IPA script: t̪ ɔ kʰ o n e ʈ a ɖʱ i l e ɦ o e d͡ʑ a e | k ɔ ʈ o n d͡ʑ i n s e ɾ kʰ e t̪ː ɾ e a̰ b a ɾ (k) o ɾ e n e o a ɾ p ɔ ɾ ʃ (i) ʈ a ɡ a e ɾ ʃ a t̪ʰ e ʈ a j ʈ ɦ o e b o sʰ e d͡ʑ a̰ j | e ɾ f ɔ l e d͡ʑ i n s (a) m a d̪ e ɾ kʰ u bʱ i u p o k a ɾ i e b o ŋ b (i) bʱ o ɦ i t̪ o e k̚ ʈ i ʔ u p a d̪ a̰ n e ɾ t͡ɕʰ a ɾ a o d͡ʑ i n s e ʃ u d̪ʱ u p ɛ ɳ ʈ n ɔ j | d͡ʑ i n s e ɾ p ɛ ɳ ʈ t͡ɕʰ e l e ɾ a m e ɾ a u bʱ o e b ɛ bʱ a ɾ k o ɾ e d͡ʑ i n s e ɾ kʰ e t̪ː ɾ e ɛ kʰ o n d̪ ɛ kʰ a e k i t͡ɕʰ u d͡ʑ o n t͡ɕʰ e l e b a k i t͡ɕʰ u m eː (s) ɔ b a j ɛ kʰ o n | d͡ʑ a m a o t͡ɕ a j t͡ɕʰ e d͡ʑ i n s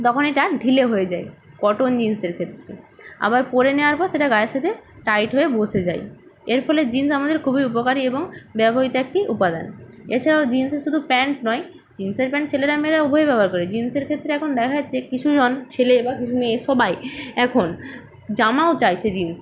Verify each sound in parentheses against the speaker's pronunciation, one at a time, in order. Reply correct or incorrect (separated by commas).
incorrect, incorrect, correct, incorrect, incorrect